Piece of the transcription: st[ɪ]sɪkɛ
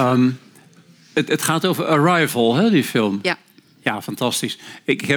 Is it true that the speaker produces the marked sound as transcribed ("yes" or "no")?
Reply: no